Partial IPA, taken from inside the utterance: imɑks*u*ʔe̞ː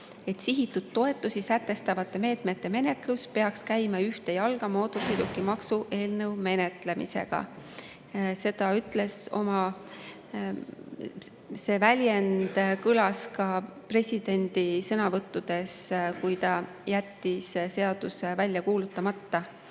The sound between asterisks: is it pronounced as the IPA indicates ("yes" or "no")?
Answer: yes